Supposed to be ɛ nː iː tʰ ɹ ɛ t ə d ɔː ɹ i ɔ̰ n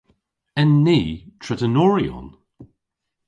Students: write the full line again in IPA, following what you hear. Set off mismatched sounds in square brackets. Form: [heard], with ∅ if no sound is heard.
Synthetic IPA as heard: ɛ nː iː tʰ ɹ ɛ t ə [n] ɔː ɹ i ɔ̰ n